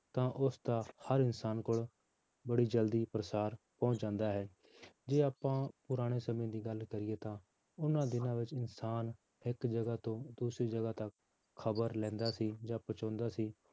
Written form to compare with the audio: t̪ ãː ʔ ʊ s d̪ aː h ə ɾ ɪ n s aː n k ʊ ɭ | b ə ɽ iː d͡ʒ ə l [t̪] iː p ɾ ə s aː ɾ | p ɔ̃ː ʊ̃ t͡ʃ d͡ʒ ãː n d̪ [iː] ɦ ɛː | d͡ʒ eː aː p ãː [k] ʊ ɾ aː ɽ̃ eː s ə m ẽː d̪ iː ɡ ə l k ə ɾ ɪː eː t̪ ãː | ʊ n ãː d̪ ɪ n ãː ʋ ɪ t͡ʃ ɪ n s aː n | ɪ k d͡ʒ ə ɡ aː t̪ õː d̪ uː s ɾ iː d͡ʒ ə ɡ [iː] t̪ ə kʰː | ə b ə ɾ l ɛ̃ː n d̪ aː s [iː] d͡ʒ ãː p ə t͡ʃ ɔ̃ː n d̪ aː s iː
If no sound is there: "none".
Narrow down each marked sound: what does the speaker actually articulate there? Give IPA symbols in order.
d̪, aː, p, aː, iː

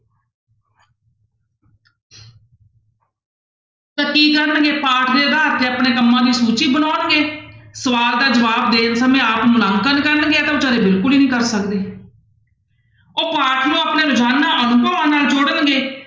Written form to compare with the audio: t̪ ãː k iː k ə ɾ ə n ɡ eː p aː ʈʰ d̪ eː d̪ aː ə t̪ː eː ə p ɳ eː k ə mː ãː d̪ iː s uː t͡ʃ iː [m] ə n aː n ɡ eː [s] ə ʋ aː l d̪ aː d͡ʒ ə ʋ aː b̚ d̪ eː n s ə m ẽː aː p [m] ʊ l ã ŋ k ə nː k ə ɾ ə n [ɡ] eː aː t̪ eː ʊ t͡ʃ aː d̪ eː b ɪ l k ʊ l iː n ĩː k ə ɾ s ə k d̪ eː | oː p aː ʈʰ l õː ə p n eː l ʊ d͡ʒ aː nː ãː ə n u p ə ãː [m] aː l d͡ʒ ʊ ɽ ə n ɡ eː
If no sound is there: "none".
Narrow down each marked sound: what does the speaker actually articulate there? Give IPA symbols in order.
b, s, m, ɡ, n

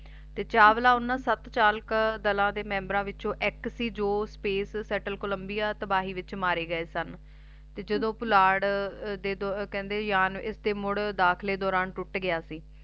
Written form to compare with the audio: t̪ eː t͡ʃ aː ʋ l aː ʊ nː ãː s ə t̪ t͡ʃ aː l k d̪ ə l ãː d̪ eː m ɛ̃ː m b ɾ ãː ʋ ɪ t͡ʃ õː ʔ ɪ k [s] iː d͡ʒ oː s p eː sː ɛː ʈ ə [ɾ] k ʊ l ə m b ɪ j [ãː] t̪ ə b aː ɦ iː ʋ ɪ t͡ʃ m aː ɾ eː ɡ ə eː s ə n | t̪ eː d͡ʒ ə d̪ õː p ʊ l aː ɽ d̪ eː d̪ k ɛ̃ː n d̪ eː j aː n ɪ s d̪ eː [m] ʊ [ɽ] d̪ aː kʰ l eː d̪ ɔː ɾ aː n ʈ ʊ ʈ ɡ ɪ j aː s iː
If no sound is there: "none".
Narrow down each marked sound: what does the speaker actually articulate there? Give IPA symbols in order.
s, l, aː, m, ɽ

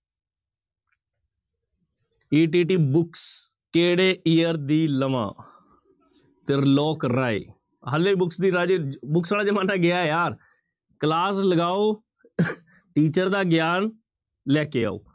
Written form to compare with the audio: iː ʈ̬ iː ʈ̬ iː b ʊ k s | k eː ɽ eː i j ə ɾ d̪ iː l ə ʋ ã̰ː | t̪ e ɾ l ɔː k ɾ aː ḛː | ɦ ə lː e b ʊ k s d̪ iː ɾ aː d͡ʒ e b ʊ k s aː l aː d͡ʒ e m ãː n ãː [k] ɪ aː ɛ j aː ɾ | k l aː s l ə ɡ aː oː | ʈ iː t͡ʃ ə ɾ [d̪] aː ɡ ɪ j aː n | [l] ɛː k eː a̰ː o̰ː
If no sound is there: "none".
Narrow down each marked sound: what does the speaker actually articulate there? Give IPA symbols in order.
ɡ, d̪, l

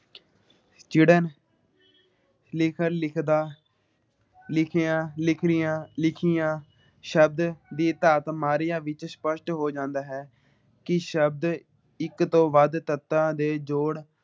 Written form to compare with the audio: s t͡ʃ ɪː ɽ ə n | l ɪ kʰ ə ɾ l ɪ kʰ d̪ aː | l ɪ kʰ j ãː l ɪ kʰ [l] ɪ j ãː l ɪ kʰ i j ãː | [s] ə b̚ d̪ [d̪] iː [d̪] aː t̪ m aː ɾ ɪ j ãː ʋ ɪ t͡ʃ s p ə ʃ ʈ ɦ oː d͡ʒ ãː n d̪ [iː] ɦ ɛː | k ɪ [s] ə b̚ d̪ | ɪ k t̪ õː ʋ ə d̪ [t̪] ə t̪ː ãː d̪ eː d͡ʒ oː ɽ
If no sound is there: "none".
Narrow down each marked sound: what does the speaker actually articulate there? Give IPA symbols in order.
ɾ, ʃ, d̪, t̪, aː, ʃ, t̪

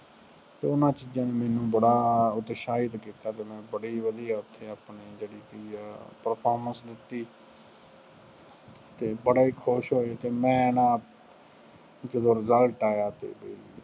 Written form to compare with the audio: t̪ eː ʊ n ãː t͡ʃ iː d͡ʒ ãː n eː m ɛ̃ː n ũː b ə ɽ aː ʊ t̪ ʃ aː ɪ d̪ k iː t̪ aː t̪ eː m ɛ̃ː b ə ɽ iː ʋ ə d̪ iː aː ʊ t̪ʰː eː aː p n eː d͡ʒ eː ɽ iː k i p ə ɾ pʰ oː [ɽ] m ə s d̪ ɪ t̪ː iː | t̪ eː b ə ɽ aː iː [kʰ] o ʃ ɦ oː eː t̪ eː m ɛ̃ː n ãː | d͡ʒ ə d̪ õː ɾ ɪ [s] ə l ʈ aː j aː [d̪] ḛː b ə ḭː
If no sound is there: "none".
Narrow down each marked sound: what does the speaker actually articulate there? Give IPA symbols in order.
ɾ, kʰ, z, t̪

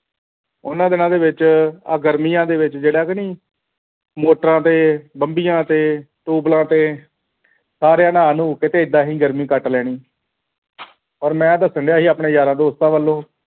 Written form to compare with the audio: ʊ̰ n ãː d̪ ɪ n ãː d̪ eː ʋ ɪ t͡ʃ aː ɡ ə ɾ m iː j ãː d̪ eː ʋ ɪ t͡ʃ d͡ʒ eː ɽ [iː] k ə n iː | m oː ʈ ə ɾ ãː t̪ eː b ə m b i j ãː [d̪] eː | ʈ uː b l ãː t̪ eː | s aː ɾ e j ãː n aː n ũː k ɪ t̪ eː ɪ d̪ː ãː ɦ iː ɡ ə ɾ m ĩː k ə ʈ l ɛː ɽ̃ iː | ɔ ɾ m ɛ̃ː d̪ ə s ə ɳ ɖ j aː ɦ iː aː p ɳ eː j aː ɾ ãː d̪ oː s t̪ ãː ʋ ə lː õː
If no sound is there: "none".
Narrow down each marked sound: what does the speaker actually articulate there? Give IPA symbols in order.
aː, t̪

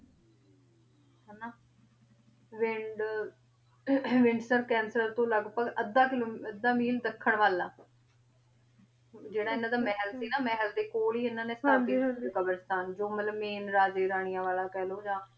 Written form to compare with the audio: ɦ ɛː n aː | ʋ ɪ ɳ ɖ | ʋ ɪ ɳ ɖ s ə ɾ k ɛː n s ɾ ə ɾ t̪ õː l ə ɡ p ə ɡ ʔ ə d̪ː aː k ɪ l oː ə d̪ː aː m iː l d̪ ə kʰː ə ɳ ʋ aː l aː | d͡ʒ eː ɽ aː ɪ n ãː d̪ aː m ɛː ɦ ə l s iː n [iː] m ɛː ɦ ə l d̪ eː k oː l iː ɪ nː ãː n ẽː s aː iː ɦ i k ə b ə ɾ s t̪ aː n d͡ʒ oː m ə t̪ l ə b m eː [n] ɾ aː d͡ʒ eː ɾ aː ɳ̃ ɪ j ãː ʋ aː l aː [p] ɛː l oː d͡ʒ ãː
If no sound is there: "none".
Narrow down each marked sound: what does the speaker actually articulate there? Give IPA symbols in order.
aː, n, k

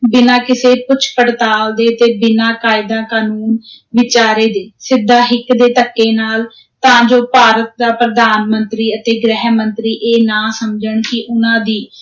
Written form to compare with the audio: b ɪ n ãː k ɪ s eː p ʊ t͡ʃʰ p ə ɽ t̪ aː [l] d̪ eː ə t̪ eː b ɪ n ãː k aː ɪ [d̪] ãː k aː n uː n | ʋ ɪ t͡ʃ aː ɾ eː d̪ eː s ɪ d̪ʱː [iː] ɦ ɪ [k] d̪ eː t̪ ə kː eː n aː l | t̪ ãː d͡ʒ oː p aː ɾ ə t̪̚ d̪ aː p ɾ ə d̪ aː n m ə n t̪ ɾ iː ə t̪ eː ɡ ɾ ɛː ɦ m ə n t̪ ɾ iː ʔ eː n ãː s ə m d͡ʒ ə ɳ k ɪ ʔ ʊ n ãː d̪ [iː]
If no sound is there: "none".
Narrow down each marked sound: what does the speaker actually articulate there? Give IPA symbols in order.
l, d̪, aː, k, iː

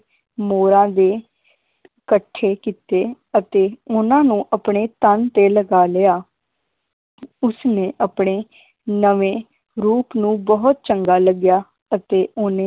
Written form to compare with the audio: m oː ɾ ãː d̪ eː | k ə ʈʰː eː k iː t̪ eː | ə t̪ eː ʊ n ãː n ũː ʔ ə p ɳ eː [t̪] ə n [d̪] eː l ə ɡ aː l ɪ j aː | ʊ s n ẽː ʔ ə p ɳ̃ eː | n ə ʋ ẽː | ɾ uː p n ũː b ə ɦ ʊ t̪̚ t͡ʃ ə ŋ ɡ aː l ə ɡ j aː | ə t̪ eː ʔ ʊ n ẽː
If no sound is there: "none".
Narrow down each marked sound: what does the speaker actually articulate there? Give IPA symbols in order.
t̪, t̪

